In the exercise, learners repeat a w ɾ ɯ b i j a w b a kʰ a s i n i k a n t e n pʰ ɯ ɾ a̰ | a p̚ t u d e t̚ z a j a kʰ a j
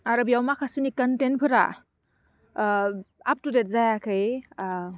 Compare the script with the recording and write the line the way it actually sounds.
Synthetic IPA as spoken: a ɾ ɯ b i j a w m a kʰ a s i n i k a n t e n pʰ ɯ ɾ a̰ | a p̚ t u d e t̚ z a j a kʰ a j

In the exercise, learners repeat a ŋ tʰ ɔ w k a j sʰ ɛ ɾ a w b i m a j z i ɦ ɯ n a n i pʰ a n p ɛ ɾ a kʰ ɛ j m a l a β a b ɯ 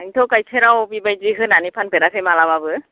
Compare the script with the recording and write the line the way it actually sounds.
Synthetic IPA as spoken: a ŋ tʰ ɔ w k a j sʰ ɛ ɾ a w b i b a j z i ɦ ɯ n a n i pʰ a n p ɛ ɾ a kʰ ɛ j m a l a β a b ɯ

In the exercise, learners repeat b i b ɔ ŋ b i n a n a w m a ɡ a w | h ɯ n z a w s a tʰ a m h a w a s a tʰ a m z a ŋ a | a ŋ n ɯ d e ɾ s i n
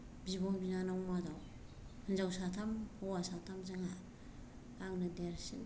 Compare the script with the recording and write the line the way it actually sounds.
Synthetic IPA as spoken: b i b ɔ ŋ b i n a n a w m a d a w | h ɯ n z a w s a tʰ a m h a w a s a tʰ a m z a ŋ a | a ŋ n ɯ d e ɾ s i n

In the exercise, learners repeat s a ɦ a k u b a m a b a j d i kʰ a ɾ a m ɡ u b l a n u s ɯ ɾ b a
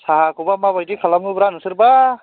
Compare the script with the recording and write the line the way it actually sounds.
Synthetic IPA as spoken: s a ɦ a k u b a m a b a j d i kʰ a l a m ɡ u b ɾ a n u s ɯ ɾ b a

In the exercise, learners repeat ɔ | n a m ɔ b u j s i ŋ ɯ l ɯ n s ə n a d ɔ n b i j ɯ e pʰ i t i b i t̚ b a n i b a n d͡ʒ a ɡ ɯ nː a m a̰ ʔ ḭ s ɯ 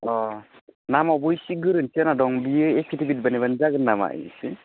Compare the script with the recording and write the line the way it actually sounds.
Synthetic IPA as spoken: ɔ | n a m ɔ b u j s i ɡ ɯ ɾ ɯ n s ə n a d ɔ ŋ b i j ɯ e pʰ i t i b i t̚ b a n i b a n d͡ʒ a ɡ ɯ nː a m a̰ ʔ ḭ s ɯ

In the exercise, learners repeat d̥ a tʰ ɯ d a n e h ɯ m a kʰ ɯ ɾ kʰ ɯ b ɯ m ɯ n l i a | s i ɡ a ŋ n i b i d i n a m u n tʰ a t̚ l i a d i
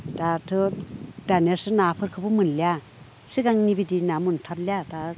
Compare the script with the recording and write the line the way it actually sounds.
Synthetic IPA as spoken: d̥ a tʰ ɯ d a n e s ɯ n a pʰ ɯ ɾ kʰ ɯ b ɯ m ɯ n l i a | s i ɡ a ŋ n i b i d i n a m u n tʰ a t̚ l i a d a

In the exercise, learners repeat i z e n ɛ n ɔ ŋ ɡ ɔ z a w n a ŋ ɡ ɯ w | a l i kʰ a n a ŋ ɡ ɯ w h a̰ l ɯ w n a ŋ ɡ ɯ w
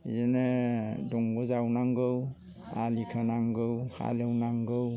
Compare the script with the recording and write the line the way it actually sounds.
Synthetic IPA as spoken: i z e n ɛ d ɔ ŋ ɡ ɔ z a w n a ŋ ɡ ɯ w | a l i kʰ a n a ŋ ɡ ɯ w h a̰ l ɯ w n a ŋ ɡ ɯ w

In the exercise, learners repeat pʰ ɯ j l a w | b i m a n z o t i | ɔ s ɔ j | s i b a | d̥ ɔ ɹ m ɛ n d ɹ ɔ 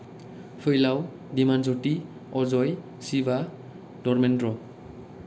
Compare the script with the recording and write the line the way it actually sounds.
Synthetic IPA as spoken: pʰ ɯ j l a w | d i m a n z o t i | ɔ z ɔ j | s i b a | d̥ ɔ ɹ m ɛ n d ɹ ɔ

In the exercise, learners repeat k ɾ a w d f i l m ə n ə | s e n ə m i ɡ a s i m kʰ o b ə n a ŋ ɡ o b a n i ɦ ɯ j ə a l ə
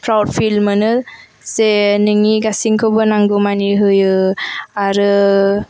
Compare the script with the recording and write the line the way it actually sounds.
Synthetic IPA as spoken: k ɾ a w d f i l m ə n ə | s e n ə ŋ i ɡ a s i ŋ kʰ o b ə n a ŋ ɡ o m a n i ɦ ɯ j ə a ɾ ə

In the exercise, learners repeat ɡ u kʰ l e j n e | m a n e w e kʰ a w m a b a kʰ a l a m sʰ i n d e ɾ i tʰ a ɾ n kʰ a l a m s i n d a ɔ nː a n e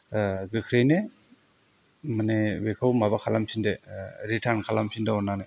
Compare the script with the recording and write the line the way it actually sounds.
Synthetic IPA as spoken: ɡ ɯ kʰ ɾ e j n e | m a n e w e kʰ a w m a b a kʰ a l a m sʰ i n d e ɾ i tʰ a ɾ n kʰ a l a m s i n d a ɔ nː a n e

